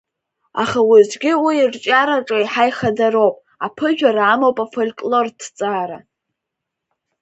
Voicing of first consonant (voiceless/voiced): voiceless